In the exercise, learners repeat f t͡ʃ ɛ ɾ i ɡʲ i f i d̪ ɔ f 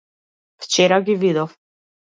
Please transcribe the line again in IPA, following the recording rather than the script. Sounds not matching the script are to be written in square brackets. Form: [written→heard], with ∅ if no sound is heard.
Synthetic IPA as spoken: f t͡ʃ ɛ ɾ [i→a] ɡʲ i [f→v] i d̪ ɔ f